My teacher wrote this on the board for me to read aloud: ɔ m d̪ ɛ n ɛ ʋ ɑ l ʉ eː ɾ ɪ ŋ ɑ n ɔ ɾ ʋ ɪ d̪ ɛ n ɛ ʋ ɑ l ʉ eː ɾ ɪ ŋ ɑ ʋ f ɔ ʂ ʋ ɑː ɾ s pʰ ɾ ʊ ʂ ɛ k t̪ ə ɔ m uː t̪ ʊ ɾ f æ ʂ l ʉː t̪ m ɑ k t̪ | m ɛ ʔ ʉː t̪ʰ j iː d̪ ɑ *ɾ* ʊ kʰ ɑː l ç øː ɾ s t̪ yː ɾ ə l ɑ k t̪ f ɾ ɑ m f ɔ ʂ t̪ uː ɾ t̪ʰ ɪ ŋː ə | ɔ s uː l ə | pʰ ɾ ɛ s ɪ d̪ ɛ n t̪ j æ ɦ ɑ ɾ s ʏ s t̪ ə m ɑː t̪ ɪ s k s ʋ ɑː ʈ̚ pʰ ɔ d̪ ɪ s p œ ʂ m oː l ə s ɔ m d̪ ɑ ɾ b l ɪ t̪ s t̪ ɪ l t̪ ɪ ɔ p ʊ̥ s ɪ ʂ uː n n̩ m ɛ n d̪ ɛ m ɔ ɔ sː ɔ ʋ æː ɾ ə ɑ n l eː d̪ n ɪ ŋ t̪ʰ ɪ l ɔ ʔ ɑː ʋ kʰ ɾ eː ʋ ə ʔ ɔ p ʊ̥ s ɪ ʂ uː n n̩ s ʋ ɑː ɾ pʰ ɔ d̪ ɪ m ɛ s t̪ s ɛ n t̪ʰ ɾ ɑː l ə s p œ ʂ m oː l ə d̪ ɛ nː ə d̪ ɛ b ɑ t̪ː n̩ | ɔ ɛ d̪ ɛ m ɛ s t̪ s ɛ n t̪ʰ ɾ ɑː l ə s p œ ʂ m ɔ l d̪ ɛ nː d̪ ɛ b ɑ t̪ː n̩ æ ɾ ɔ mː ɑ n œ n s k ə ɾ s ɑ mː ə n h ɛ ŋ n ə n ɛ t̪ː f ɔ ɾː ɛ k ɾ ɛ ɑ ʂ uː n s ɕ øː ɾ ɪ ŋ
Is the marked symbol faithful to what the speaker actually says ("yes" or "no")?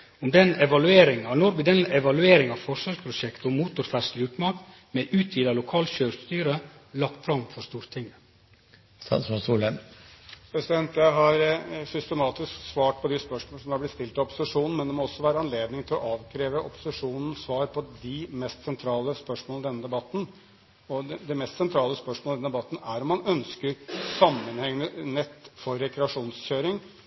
no